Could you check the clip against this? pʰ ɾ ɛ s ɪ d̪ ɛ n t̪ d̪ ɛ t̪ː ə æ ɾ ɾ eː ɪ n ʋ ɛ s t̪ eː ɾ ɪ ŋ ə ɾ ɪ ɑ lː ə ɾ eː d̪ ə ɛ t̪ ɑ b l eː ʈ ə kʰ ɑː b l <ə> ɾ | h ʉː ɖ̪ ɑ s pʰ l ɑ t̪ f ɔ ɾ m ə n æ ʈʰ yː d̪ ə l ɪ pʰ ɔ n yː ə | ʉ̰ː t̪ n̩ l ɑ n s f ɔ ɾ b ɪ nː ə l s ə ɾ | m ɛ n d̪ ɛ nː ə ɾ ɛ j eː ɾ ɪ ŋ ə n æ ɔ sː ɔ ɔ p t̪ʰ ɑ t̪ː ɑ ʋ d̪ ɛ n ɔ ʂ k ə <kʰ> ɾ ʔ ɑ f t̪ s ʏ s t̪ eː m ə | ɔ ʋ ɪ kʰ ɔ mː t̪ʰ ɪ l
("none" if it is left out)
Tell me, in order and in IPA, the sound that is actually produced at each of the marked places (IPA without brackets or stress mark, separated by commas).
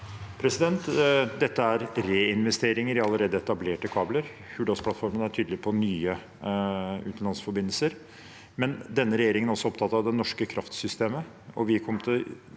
ə, kʰ